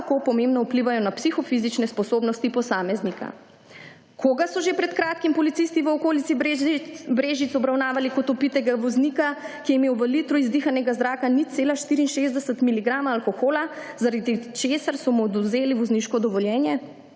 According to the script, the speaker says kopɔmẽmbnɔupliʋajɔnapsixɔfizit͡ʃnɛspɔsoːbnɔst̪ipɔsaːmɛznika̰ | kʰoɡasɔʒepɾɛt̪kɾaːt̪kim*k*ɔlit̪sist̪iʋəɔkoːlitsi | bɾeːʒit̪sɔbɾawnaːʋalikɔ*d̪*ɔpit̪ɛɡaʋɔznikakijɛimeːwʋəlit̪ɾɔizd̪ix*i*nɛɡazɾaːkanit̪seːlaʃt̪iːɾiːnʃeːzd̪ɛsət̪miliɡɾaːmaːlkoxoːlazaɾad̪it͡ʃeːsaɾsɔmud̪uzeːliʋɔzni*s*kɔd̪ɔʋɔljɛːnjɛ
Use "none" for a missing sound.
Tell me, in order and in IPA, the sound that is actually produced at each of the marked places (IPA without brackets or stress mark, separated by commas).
p, t̪, a, ʃ